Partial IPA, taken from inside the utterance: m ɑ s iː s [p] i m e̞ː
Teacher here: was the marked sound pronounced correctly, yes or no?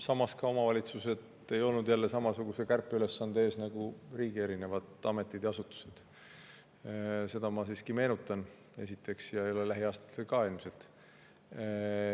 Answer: no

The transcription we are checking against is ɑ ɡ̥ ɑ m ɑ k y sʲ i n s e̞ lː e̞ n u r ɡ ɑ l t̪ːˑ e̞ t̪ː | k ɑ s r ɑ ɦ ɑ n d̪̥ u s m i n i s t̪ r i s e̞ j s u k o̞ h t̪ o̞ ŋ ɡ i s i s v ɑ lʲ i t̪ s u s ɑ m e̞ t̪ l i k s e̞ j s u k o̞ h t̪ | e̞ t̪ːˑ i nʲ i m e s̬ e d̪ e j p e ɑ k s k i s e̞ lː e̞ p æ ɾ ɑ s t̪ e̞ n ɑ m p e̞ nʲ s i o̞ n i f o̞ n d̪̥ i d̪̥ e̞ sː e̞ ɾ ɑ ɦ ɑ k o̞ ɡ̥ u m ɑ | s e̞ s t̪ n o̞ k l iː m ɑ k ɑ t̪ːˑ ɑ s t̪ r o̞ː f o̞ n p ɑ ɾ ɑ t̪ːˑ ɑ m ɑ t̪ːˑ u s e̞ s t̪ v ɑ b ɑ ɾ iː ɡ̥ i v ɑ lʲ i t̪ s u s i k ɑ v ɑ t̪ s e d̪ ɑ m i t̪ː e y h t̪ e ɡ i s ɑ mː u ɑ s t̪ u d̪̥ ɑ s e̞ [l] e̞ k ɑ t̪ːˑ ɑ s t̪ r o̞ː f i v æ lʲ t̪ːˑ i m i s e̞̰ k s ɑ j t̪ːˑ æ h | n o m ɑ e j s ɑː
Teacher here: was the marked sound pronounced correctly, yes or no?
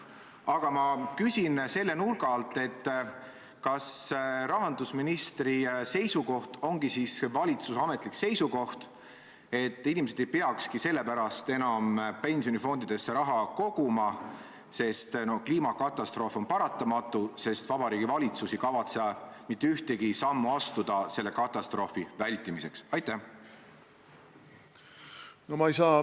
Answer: no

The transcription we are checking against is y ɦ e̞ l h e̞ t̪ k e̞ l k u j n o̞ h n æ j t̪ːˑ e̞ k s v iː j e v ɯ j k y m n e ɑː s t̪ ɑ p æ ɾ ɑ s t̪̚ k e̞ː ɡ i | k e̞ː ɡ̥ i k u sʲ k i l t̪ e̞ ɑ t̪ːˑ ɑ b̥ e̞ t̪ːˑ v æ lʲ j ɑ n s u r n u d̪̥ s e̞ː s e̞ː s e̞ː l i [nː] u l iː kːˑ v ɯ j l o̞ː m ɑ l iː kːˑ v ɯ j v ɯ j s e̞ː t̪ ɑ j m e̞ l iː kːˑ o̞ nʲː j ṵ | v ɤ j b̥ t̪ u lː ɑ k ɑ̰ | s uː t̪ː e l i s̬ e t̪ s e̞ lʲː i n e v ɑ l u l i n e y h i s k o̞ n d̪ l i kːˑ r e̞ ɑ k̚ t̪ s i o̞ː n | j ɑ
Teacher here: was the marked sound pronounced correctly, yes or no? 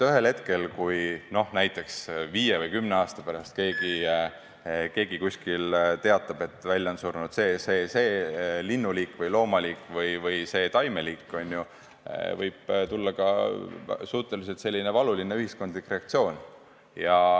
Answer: yes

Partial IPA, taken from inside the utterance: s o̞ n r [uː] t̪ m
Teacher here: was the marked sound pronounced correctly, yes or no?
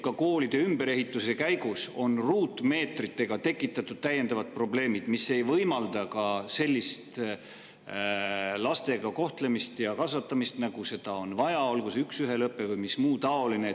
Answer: yes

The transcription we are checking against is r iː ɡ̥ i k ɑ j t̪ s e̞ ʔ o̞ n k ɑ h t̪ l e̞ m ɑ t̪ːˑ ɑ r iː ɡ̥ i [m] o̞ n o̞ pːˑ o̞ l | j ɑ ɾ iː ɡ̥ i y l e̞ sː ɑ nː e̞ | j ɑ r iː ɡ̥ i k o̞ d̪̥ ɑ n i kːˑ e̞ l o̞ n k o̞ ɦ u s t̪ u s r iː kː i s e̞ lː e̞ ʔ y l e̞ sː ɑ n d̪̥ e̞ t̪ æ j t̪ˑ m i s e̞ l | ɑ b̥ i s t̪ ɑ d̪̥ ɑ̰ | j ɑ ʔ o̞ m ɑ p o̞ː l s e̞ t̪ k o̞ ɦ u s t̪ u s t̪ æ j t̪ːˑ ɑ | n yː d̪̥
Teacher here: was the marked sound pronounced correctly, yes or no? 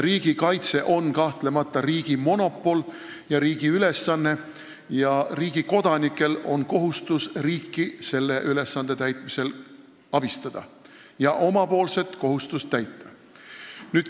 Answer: yes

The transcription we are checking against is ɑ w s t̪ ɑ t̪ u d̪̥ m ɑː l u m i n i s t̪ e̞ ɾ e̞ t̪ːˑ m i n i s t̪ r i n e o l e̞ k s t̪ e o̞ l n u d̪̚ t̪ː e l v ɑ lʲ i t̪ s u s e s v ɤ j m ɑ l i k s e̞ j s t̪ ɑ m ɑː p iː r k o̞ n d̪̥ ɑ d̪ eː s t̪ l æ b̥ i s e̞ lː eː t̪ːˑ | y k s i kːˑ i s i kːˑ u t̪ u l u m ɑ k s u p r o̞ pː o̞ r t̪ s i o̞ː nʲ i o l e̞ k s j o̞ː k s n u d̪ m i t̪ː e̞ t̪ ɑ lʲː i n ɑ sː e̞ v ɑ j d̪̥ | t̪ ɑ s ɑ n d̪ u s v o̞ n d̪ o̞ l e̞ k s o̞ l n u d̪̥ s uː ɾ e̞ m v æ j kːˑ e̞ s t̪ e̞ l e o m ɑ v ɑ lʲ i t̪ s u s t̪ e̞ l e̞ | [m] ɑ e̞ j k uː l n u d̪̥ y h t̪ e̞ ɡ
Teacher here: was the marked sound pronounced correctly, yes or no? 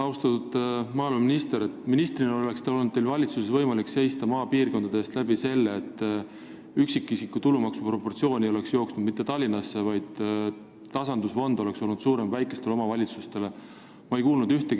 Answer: yes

